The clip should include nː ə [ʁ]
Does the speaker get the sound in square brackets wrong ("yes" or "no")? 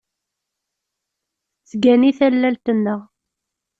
no